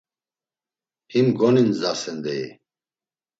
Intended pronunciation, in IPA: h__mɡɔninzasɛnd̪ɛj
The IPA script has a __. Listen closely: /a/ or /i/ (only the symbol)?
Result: i